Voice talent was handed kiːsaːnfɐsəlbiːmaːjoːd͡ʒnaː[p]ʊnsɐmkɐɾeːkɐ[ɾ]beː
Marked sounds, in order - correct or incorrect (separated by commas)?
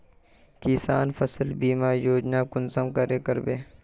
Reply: incorrect, correct